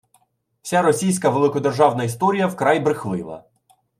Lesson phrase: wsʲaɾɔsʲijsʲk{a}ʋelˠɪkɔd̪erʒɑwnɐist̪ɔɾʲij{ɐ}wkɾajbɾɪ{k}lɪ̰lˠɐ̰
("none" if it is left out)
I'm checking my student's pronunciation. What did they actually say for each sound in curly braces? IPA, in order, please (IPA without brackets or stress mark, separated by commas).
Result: ɐ, ɐ, x